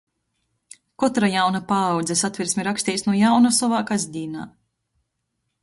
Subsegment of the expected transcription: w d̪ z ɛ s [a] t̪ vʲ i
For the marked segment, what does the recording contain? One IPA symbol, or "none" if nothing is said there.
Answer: a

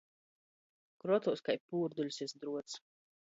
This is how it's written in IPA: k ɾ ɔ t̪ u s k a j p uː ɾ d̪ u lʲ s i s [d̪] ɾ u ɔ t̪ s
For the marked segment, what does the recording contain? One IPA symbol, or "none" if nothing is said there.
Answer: d̪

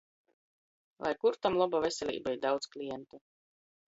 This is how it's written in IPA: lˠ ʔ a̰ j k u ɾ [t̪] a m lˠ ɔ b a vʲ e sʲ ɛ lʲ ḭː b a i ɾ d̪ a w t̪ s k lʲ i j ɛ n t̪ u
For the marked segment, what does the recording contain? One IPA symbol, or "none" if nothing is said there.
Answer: t̪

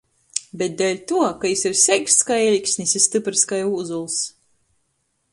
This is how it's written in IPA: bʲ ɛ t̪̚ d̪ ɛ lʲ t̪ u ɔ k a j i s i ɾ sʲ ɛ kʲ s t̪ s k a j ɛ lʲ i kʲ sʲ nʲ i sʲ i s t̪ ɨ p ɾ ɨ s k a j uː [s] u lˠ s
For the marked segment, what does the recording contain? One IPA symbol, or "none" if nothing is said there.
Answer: z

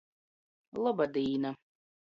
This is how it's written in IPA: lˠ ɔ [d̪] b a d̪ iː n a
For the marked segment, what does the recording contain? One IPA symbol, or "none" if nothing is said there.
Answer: none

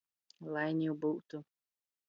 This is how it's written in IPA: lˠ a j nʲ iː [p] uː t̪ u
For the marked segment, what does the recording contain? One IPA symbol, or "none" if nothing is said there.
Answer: b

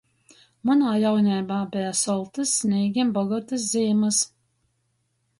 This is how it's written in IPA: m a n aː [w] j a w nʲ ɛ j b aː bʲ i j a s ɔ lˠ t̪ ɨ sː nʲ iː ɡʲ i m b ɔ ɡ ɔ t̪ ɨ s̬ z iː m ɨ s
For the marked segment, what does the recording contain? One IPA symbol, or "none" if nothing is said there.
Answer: none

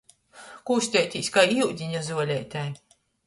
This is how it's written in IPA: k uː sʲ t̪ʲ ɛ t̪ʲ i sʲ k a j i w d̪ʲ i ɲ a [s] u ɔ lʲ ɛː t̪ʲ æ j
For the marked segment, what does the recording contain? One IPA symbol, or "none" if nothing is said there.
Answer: z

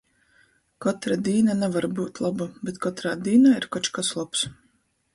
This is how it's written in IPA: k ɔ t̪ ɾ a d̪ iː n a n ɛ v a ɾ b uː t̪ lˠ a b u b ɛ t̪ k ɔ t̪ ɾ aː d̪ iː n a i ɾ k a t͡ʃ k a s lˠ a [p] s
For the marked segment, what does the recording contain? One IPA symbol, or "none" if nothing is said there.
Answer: p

